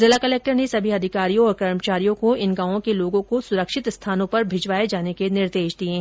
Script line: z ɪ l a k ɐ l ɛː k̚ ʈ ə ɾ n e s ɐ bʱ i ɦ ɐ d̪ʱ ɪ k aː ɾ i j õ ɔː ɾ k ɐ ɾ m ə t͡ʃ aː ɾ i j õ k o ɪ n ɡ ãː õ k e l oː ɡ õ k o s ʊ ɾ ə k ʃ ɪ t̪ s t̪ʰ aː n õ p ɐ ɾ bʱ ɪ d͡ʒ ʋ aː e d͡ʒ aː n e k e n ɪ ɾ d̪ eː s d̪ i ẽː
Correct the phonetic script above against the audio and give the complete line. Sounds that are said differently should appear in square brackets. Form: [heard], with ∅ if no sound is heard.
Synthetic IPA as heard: z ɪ l a k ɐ l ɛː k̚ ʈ ə ɾ n e s ɐ bʱ i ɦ ɐ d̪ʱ ɪ k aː ɾ i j õ ɔː ɾ k ɐ ɾ m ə t͡ʃ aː ɾ i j õ k o ɪ n ɡ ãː õ k e l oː ɡ õ k o s ʊ ɾ ə k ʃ ɪ t̪ s t̪ʰ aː n õ p ɐ ɾ bʱ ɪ d͡ʒ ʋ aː e d͡ʒ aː n e k e n ɪ ɾ d̪ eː [ʃ] d̪ i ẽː